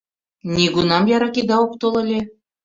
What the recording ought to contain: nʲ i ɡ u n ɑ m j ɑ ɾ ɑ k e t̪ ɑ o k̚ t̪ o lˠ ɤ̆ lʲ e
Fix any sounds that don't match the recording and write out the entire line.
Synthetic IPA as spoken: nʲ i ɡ u n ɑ m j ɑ ɾ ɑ k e d̪ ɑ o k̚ t̪ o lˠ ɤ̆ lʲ e